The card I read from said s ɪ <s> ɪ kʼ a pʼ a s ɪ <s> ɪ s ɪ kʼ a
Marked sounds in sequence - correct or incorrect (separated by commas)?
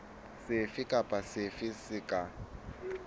incorrect, incorrect